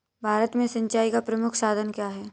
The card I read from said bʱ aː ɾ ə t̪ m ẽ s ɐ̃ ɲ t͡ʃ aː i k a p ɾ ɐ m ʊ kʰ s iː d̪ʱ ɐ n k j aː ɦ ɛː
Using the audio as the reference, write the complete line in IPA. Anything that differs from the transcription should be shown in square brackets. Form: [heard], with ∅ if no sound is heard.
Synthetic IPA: bʱ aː ɾ ə t̪ m ẽ s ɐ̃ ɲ t͡ʃ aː i k a p ɾ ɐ m ʊ kʰ s [aː] d̪ʱ [ə] n k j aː ɦ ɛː